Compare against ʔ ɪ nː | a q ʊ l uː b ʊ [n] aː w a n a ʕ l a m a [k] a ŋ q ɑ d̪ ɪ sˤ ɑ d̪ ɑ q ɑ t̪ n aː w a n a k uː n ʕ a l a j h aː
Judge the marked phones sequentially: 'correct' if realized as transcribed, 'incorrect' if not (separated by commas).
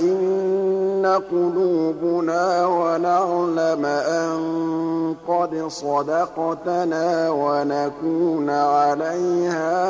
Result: correct, incorrect